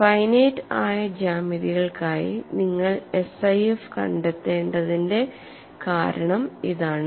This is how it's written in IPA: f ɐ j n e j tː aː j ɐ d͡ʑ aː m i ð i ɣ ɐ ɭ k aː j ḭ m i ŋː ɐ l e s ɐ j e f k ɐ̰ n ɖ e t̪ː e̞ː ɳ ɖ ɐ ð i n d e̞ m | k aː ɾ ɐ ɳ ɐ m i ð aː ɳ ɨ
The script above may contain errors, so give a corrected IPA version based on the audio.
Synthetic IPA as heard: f ɐ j n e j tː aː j ɐ d͡ʑ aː m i ð i ɣ ɐ ɭ k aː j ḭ n i ŋː ɐ ɭ e s ɐ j e f k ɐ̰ ɳ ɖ e t̪ː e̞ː ɳ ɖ ɐ ð i n d e̞ | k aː ɾ ɐ ɳ ɐ m i ð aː ɳ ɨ